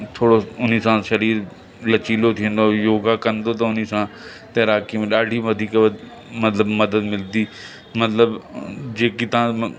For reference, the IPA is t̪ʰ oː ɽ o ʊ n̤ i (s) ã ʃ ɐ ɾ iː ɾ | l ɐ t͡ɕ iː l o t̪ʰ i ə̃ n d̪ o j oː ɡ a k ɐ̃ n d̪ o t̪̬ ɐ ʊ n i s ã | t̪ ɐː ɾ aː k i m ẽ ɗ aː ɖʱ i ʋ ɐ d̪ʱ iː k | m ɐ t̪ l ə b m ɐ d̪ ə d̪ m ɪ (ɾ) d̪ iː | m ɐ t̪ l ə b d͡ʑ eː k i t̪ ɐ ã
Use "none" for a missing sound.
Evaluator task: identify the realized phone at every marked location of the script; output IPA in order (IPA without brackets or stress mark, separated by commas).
s, l